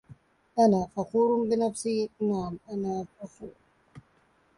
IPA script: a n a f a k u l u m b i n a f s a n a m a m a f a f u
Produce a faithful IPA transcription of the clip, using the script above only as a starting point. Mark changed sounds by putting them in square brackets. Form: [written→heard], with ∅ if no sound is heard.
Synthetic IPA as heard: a n a f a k u [l→ɾ] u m b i n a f s [a→i] n a m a [m→n] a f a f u